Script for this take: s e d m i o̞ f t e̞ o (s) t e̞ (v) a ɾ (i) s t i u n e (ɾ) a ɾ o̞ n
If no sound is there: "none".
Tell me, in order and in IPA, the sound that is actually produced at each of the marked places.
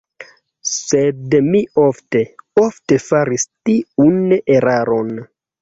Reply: f, f, i, ɾ

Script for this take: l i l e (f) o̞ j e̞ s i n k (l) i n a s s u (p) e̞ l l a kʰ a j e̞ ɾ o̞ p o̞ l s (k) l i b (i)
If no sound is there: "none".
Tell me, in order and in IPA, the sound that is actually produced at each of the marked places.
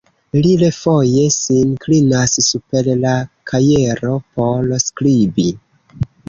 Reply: f, l, p, k, i

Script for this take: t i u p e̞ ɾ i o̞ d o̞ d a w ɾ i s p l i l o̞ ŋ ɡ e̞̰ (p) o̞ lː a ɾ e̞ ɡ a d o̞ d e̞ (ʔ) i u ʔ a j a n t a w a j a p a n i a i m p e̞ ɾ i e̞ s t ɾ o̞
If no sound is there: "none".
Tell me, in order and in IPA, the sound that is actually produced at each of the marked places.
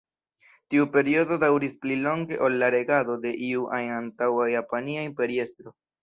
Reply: ʔ, ʔ

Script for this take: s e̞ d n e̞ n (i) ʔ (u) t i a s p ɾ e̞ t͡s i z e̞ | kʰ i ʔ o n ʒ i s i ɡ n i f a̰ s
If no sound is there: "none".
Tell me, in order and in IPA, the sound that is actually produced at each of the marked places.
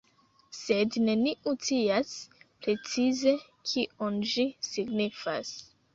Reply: i, u

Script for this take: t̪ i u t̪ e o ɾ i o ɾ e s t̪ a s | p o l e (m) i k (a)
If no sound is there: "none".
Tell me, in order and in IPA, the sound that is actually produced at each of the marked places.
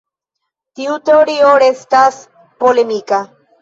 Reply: m, a

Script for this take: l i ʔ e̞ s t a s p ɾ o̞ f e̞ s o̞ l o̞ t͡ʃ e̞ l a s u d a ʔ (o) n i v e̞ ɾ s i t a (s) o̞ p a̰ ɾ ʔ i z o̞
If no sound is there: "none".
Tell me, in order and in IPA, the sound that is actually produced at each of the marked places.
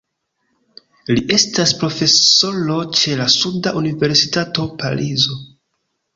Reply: u, t

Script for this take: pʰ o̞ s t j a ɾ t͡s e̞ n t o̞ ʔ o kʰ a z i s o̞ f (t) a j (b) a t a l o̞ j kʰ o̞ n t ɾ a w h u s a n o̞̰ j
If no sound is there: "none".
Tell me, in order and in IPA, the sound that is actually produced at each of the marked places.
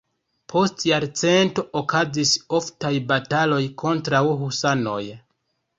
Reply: t, b

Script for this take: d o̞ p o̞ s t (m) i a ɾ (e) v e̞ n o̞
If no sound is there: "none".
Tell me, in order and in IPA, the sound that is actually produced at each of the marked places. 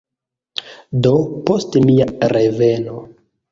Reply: m, e

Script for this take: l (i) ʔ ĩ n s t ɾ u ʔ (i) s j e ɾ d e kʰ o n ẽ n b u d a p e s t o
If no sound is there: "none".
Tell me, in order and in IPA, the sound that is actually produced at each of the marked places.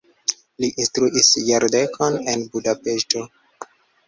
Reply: i, i

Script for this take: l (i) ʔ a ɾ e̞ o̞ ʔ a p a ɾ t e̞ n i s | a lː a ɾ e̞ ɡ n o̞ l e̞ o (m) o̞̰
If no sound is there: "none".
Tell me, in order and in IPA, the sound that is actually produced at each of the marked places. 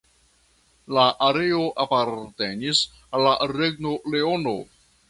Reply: a, n

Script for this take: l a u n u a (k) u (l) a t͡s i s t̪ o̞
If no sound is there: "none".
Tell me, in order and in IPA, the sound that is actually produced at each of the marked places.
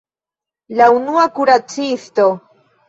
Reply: k, ɾ

